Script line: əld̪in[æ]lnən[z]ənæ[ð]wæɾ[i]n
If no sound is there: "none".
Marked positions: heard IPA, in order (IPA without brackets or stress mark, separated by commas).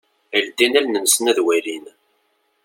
æ, s, ð, i